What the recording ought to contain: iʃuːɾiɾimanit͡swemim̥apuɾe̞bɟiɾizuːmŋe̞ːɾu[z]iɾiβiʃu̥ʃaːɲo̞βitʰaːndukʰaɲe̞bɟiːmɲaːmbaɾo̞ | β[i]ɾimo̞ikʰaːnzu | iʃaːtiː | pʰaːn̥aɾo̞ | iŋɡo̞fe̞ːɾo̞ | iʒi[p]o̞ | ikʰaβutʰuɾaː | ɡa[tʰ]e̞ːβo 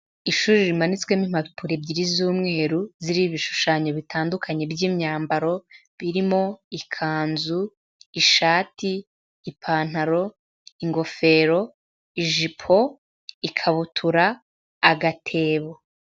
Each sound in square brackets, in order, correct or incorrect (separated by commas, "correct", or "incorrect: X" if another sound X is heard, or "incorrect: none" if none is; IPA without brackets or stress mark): correct, correct, incorrect: pʰ, correct